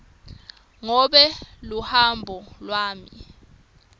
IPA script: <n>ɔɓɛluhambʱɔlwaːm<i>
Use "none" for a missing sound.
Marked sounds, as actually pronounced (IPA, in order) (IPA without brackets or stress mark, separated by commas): ŋ, i